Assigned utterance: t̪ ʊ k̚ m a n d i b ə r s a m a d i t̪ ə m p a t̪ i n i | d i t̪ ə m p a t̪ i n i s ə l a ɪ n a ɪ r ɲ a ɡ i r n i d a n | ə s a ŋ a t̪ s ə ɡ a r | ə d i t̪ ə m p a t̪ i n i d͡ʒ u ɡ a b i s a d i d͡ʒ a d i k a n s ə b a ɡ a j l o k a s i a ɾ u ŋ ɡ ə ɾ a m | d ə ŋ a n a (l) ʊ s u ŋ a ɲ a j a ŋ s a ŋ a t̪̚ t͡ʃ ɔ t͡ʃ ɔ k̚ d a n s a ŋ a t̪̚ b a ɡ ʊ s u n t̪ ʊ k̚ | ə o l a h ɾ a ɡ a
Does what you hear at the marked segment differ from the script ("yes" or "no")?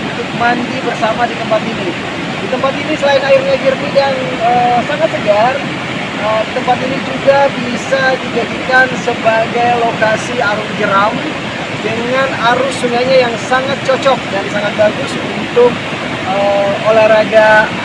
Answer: yes